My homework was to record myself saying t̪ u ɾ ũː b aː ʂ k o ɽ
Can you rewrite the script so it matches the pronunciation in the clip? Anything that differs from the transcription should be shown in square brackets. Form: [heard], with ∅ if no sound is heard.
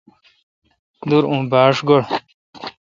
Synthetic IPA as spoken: [d̪] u ɾ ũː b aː ʂ [ɡ] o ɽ